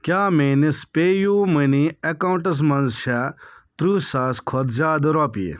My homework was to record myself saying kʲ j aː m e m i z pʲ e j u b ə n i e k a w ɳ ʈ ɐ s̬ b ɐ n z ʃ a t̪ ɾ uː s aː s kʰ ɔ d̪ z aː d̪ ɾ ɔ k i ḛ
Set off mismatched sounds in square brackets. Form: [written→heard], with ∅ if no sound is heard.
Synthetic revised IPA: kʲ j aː m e [m→n] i [z→s] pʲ e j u [b→m] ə n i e k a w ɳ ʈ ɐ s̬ [b→m] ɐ n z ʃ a t̪ ɾ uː s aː s kʰ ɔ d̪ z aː d̪ ɾ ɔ [k→p] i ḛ